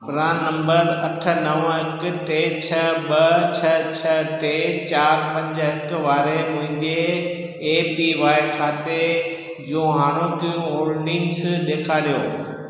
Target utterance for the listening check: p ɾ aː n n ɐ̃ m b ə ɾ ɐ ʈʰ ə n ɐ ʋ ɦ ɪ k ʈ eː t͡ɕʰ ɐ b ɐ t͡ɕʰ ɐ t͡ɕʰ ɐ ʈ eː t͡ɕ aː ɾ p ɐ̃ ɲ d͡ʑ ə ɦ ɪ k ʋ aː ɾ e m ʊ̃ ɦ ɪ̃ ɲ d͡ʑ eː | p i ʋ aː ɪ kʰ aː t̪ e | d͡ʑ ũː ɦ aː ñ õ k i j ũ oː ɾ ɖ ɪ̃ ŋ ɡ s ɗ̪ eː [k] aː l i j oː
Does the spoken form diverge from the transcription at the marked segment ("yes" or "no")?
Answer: yes